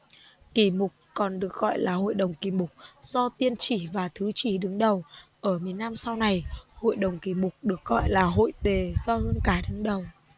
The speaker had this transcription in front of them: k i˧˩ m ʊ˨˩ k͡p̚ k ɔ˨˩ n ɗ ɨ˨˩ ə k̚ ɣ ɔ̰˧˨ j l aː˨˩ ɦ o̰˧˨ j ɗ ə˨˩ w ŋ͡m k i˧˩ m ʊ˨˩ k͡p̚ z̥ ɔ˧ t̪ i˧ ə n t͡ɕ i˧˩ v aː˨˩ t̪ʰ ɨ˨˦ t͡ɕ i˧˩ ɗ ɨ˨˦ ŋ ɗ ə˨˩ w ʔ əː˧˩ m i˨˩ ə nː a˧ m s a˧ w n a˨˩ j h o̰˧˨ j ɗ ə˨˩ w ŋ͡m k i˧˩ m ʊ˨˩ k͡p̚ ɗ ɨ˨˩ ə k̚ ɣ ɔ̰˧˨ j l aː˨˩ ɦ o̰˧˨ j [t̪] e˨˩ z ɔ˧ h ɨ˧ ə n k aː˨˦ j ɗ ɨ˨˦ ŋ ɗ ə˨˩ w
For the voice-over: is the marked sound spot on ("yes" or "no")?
yes